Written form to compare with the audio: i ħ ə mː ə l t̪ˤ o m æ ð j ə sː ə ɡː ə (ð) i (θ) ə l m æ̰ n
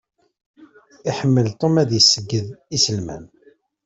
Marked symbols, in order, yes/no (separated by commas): yes, no